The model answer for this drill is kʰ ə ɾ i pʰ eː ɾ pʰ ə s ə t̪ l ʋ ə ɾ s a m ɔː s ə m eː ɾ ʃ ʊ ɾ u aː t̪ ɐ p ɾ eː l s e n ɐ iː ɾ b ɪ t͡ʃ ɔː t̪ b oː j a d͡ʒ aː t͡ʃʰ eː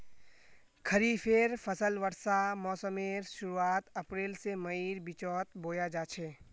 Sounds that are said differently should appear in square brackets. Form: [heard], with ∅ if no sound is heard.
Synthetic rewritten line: kʰ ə ɾ i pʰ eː ɾ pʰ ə s ə [∅] l ʋ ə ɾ s a m ɔː s ə m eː ɾ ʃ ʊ ɾ u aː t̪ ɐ p ɾ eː l s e [m] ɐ iː ɾ b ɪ t͡ʃ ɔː t̪ b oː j a d͡ʒ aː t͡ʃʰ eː